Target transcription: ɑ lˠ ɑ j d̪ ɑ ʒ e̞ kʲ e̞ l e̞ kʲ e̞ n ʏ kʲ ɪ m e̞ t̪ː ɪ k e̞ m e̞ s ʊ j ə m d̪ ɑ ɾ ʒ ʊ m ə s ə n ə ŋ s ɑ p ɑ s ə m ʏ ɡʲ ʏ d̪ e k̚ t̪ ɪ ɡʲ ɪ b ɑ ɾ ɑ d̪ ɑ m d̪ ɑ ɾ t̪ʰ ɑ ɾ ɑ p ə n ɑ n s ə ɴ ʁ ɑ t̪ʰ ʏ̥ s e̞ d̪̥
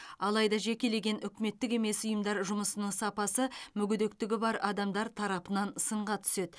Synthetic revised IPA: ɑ lˠ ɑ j d̪ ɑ ʒ e̞ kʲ e̞ l e̞ ɡʲ e̞ n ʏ kʲ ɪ m e̞ t̪ː ɪ k e̞ m e̞ s ʊ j ə m d̪ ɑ ɾ ʒ ʊ m ə s ə n ə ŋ s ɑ p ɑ s ə m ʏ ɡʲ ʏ d̪ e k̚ t̪ ɪ ɡʲ ɪ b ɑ ɾ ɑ d̪ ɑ m d̪ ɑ ɾ t̪ʰ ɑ ɾ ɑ p ə n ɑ n s ə ɴ ʁ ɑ t̪ʰ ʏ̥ s e̞ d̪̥